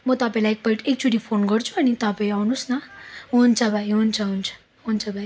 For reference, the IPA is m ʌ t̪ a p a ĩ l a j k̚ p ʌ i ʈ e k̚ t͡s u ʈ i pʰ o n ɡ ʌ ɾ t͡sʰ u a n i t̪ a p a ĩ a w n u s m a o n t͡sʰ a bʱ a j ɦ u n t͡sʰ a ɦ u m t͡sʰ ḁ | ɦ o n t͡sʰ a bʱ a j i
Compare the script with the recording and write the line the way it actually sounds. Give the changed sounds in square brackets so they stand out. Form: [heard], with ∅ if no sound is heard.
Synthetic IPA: m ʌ t̪ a p a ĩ l a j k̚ p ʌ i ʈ e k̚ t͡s u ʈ i pʰ o n ɡ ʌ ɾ t͡sʰ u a n i t̪ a p a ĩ a w n u s [n] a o n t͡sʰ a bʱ a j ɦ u n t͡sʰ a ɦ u [n] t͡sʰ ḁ | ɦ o n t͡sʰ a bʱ a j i